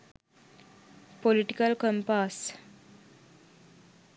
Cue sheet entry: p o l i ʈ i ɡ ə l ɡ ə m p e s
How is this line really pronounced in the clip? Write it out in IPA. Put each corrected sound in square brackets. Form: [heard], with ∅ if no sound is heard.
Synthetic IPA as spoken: p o l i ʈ i [k] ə l [k] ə m p [a] s